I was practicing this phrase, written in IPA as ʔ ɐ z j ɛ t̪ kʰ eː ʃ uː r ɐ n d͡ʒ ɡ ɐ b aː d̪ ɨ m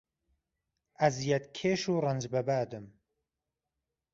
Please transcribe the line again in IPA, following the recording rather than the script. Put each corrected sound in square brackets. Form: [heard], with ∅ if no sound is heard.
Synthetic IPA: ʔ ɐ z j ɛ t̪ kʰ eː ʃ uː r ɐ n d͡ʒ [b] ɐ b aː d̪ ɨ m